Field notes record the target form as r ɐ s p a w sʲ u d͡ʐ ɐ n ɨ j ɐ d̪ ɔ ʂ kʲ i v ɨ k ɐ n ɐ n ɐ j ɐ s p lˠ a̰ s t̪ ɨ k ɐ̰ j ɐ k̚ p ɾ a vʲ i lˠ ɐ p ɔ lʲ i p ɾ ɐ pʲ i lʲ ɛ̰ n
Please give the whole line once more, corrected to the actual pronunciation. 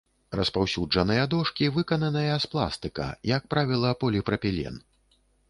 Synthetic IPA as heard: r ɐ s p a w sʲ u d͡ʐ ɐ n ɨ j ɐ d̪ ɔ ʂ kʲ i v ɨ k ɐ n ɐ n ɐ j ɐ s p lˠ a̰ s t̪ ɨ k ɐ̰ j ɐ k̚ p ɾ a vʲ i lˠ ɐ p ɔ lʲ i p ɾ ɐ pʲ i lʲ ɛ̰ n